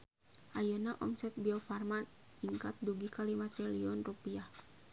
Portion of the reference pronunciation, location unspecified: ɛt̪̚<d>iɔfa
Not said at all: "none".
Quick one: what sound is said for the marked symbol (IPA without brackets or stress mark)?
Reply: b